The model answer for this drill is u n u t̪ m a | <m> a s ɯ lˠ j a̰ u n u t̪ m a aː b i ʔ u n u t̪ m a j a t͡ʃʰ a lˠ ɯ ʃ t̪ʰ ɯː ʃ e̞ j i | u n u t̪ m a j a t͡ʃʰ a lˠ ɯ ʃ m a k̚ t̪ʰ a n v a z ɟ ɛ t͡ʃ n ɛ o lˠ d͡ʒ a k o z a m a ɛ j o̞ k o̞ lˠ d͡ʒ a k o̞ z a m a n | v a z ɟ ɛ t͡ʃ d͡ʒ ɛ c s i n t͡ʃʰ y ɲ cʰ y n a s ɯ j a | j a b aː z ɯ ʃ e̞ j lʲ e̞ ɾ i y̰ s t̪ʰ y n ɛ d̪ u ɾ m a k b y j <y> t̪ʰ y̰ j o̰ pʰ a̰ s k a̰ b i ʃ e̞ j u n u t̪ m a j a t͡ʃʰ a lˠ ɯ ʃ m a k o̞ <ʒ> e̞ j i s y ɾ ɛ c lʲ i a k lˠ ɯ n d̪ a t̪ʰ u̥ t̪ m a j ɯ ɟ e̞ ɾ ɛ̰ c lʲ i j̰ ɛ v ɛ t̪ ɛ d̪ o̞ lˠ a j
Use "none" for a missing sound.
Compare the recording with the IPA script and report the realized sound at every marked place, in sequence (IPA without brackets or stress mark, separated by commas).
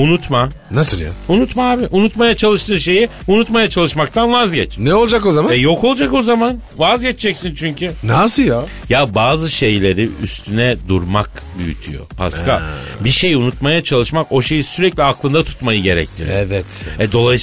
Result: n, y, ʃ